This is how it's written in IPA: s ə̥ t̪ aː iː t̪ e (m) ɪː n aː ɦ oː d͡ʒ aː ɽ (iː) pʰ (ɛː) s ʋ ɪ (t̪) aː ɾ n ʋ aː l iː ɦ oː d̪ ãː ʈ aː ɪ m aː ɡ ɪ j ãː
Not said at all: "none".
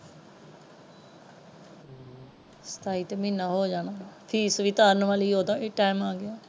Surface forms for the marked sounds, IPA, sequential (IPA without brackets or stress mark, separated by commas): m, aː, iː, t̪